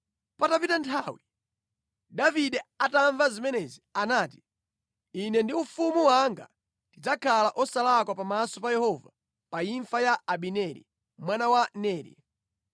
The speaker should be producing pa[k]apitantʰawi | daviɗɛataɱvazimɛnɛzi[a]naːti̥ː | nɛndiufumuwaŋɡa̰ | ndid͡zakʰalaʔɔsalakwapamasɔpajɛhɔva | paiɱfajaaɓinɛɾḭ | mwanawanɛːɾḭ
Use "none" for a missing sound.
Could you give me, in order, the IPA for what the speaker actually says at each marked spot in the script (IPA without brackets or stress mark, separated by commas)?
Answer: t, a